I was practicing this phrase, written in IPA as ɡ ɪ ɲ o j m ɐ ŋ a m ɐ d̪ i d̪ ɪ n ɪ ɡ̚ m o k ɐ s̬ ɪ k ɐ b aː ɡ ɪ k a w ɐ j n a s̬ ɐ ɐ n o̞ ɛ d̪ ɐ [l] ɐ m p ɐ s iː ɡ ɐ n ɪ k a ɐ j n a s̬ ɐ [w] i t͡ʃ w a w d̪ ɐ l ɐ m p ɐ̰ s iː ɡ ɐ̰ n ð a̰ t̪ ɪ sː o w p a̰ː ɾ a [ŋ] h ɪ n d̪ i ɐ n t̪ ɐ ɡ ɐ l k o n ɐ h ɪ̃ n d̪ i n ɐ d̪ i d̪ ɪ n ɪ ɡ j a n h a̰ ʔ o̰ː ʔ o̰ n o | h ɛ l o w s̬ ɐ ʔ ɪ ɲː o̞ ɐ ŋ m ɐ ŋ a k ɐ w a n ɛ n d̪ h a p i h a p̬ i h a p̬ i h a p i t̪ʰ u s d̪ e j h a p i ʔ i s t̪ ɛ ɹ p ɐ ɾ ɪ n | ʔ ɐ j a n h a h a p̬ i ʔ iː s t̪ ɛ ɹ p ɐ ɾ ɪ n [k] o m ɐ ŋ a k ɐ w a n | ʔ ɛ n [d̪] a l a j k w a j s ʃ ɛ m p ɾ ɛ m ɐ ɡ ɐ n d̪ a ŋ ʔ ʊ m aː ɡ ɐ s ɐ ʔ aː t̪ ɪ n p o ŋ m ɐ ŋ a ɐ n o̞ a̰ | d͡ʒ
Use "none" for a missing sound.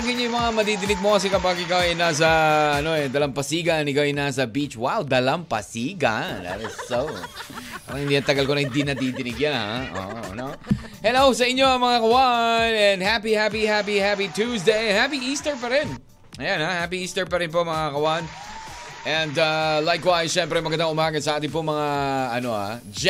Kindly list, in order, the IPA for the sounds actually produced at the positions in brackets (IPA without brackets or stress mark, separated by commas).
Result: l, b, ŋ, p, d̪